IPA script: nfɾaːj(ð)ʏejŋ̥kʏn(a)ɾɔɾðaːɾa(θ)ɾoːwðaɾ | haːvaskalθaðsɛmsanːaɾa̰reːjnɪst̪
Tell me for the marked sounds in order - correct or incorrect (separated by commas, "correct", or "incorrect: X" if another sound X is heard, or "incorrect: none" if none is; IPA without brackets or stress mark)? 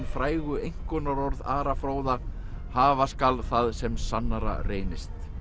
incorrect: ɣ, correct, incorrect: f